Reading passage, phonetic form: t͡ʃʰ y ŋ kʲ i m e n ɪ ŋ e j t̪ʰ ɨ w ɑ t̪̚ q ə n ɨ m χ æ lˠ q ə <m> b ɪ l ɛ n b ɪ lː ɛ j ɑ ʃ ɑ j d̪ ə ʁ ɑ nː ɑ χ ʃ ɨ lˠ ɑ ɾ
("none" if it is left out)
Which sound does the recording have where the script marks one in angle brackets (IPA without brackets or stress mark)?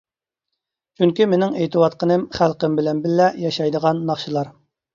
m